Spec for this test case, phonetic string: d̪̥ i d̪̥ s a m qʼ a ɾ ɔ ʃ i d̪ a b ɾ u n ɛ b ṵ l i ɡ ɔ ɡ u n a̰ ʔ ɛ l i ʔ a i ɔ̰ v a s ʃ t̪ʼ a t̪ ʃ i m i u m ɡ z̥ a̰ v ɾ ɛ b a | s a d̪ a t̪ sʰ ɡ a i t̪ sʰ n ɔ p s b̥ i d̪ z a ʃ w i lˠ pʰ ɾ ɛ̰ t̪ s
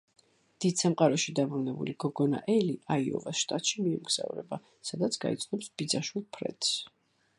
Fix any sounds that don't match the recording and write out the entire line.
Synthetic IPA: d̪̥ i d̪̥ s a m qʼ a ɾ ɔ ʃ i d̪ a b ɾ u n ɛ b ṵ l i ɡ ɔ ɡ ɔ n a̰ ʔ ɛ l i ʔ a i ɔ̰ v a s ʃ t̪ʼ a t̪ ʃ i m i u m ɡ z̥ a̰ v ɾ ɛ b a | s a d̪ a t̪ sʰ ɡ a i t̪ sʰ n ɔ p s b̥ i d̪ z a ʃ w i lˠ pʰ ɾ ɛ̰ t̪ s